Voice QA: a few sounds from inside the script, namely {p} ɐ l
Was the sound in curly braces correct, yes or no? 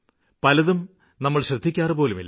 yes